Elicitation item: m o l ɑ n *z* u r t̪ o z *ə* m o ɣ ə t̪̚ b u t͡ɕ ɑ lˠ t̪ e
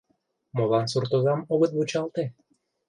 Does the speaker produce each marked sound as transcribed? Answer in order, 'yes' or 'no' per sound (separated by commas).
no, no